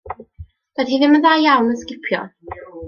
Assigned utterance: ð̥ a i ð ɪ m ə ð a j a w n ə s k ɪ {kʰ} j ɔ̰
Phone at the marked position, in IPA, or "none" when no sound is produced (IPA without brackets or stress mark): pʰ